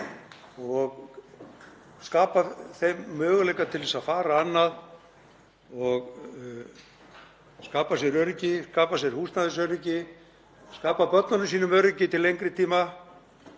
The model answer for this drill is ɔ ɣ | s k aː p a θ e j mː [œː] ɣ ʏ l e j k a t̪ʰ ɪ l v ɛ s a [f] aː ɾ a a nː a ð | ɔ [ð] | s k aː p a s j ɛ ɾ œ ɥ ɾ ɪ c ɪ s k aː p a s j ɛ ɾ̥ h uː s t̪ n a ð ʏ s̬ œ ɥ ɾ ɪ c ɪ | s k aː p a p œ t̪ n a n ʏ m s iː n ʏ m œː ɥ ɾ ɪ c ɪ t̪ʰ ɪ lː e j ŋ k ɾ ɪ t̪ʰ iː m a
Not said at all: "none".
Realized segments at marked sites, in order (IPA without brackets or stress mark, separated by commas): œː, f, ɣ